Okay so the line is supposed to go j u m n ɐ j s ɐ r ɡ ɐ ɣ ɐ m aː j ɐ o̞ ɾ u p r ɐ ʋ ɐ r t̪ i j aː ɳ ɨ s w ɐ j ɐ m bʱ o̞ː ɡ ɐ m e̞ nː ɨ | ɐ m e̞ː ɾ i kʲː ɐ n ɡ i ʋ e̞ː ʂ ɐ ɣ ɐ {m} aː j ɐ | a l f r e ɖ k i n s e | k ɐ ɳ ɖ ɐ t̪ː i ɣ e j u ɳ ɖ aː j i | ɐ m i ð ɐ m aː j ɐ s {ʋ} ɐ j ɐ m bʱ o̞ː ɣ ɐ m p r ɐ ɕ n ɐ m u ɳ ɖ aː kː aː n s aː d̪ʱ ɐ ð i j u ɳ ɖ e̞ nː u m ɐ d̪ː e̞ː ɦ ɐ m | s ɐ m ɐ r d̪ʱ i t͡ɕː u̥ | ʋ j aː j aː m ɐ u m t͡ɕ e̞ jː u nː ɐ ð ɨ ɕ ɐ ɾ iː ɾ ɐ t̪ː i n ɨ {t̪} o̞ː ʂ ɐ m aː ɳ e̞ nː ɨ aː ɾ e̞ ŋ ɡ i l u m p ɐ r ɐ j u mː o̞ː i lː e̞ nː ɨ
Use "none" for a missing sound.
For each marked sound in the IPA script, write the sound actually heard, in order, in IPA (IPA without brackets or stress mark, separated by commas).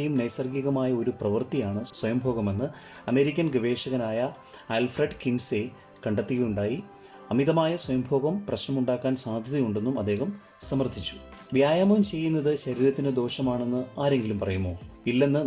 n, w, d̪